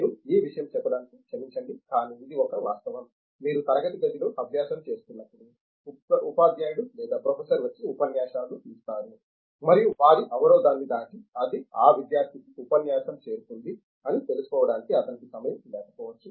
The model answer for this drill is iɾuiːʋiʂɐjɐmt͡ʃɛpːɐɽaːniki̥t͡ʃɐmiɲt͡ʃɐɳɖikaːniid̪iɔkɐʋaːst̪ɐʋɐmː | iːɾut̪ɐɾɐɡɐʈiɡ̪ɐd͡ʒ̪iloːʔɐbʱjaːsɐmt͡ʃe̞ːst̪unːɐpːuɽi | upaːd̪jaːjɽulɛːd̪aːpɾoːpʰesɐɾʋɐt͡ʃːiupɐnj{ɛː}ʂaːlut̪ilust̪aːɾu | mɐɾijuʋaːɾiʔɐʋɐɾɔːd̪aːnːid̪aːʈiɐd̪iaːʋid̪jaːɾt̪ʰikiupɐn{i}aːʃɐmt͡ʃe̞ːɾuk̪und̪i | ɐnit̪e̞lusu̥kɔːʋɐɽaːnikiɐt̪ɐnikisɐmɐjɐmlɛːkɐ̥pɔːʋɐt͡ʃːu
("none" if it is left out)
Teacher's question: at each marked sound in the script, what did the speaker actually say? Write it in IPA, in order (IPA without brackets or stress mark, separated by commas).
aː, j